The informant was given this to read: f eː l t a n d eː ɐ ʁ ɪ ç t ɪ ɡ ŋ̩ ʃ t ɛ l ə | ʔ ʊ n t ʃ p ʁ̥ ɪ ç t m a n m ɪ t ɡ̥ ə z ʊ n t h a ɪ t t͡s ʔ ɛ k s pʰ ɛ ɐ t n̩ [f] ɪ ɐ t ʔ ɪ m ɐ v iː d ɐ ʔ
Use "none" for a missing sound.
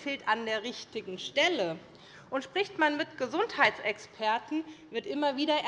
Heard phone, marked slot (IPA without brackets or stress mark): v